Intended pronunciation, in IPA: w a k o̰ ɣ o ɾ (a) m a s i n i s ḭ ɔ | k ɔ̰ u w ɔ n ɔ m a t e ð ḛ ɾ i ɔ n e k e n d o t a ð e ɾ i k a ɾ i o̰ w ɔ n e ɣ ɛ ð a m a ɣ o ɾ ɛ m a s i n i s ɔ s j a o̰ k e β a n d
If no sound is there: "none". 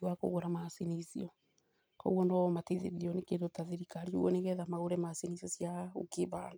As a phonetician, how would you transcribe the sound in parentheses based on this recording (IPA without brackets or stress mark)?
a